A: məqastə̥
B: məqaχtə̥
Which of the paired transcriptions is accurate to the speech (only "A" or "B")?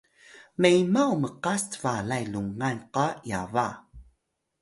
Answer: A